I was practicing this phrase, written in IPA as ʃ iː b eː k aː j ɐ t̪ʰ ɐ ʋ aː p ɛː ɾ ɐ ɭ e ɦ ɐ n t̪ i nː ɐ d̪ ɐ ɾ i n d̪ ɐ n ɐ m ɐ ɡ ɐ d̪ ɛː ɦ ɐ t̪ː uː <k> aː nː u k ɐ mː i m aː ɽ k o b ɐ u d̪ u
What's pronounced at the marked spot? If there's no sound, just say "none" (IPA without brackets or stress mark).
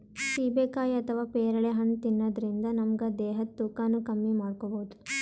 k